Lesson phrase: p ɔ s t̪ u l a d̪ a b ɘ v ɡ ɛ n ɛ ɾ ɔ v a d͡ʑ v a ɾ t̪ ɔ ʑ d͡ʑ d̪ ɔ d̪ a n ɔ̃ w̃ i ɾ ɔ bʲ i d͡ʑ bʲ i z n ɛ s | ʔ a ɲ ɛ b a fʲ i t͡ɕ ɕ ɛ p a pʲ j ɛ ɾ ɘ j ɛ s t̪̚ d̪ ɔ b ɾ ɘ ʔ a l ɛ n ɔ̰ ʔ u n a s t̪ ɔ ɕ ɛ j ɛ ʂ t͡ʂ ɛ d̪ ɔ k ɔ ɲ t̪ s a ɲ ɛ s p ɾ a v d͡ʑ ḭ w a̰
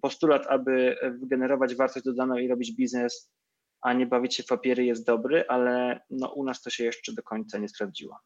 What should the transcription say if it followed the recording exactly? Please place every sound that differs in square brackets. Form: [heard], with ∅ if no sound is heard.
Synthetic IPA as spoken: p ɔ s t̪ u l a [t̪] a b ɘ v ɡ ɛ n ɛ ɾ ɔ v a d͡ʑ v a ɾ t̪ ɔ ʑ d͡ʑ d̪ ɔ d̪ a n ɔ̃ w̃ i ɾ ɔ bʲ i d͡ʑ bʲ i z n ɛ s | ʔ a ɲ ɛ b a [vʲ] i t͡ɕ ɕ ɛ p a pʲ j ɛ ɾ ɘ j ɛ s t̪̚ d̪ ɔ b ɾ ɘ ʔ a l ɛ n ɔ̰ ʔ u n a s t̪ ɔ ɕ ɛ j ɛ ʂ t͡ʂ ɛ d̪ ɔ k ɔ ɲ t̪ s a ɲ ɛ s p ɾ a v d͡ʑ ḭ w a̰